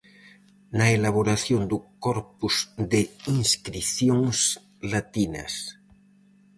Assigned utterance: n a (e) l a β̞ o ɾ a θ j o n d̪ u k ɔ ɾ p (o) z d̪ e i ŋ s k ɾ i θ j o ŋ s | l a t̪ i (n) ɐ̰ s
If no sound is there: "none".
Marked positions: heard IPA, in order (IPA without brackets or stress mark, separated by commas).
e, u, n